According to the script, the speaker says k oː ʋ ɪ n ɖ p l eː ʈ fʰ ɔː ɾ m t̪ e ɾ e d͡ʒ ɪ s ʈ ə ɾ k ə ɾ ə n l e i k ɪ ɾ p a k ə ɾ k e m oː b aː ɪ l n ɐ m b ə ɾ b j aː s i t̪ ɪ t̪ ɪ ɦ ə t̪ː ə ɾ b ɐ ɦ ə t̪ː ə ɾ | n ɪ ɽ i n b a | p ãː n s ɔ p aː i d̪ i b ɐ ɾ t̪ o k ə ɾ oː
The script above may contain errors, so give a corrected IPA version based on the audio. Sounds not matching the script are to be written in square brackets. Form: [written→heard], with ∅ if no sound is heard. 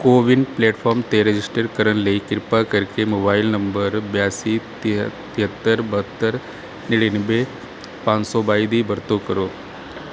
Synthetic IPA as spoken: k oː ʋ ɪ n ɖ p l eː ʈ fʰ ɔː ɾ m t̪ e ɾ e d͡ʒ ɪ s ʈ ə ɾ k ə ɾ ə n l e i k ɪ ɾ p a k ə ɾ k e m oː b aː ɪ l n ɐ m b ə ɾ b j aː s i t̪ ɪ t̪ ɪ ɦ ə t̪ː ə ɾ b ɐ ɦ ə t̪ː ə ɾ | n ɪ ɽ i n b [a→e] | p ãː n s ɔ [p→b] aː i d̪ i b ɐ ɾ t̪ o k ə ɾ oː